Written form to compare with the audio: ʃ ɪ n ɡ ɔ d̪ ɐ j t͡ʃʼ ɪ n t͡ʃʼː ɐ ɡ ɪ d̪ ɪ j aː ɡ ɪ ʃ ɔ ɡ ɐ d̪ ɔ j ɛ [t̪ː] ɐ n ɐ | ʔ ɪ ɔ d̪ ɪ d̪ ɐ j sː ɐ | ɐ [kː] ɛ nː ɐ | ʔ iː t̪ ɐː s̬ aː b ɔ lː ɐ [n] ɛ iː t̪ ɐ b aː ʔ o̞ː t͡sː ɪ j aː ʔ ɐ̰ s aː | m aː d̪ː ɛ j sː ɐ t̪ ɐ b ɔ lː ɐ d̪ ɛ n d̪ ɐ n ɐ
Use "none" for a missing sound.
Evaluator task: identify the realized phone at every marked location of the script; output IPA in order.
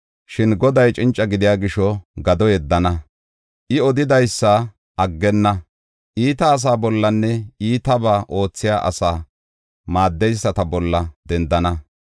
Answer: d̪ː, ɡː, nː

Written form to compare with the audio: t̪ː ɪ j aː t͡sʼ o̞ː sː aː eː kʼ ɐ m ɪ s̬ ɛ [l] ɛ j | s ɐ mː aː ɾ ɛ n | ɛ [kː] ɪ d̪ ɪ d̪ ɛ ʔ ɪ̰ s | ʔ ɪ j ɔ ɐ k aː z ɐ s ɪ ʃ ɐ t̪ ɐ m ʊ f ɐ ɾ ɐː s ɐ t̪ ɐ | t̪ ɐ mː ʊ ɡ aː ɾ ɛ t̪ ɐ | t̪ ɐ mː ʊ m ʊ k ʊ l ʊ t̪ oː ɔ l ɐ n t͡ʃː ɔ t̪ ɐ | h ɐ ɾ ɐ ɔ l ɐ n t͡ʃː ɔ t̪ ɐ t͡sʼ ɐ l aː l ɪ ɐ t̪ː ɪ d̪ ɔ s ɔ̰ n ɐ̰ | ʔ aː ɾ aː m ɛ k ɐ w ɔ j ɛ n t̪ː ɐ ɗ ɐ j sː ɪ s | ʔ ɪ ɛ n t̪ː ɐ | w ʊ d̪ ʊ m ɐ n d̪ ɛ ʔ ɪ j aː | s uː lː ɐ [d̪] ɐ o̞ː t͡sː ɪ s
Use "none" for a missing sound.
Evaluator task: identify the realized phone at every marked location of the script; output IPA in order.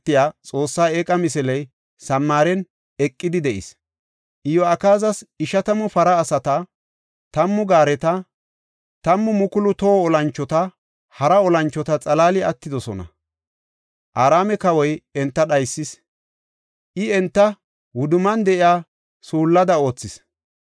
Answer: l, kʼː, d̪

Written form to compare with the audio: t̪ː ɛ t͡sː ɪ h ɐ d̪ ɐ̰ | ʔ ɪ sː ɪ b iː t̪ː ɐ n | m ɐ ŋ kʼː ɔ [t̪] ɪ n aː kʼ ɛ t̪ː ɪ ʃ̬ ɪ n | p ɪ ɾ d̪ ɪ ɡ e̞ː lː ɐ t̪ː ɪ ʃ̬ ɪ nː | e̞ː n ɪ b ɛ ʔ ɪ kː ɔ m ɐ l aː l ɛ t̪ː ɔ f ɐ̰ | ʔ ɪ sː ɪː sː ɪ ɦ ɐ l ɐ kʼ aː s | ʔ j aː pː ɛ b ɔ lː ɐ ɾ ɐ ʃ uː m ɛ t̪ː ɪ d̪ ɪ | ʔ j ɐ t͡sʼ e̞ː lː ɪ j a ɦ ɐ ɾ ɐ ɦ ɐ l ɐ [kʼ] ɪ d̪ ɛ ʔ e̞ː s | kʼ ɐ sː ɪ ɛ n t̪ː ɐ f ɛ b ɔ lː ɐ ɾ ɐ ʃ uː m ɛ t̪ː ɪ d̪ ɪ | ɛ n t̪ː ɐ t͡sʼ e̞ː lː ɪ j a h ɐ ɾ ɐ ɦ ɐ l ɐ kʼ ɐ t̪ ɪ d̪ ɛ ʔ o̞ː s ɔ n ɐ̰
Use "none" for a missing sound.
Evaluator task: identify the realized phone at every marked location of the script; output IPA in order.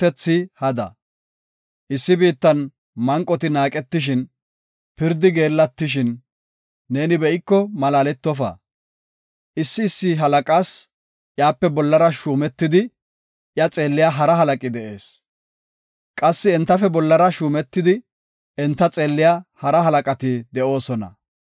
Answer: t̪, kʼ

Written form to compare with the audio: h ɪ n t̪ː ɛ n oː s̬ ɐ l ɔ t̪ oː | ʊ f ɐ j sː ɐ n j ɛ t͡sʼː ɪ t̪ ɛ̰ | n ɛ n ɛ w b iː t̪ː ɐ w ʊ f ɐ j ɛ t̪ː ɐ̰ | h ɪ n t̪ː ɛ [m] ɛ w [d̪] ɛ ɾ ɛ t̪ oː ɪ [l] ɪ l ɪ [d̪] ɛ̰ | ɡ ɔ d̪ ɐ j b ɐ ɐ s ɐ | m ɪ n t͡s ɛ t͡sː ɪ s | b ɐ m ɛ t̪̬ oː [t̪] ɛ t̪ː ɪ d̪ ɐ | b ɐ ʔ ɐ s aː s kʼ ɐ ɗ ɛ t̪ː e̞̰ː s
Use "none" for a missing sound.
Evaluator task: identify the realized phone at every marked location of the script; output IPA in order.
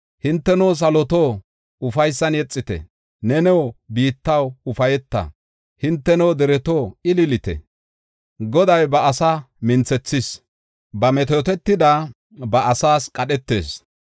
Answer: n, d̪, l, t̪, t̪

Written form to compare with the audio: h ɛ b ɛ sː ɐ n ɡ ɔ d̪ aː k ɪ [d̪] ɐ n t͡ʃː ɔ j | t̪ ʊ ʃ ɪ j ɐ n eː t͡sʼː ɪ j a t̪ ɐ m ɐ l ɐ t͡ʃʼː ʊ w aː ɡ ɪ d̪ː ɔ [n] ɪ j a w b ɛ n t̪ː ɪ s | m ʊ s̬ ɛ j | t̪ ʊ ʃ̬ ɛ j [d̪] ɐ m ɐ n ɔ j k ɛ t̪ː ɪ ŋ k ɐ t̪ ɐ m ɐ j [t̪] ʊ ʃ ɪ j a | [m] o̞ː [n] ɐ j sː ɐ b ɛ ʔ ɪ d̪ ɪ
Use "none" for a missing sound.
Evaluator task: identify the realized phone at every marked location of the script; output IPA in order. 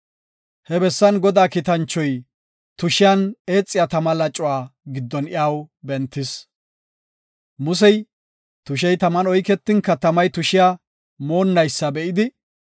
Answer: t̪, n, t̪, t̪, m, nː

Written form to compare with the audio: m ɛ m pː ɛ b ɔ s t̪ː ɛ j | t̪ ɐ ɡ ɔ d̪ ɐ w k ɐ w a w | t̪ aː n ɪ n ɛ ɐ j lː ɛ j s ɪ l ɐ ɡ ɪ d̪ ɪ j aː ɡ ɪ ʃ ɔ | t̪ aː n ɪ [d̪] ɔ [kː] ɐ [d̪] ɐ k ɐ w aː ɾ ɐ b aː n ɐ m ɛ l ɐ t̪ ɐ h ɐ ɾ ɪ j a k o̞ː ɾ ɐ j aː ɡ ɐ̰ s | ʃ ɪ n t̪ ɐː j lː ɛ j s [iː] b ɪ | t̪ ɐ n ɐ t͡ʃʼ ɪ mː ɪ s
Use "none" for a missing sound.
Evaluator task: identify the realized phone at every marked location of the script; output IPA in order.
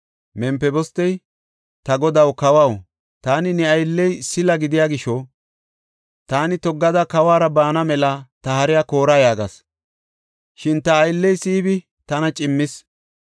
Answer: t̪, ɡː, d̪, iː

